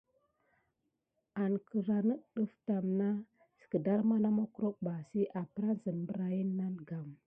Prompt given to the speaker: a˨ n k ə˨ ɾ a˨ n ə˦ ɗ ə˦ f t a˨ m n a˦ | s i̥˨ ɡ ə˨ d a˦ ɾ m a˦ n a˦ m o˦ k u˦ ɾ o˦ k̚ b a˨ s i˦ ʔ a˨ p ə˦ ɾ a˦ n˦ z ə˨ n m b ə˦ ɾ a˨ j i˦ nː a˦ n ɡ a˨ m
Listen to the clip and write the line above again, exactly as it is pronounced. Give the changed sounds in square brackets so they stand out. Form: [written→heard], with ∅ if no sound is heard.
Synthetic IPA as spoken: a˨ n k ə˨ ɾ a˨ n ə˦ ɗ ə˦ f t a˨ m n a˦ | s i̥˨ [ɡ→k] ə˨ d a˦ ɾ m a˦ n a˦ m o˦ k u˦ ɾ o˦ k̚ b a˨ s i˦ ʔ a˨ p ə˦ ɾ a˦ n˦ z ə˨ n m b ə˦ ɾ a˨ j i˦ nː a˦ n ɡ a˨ m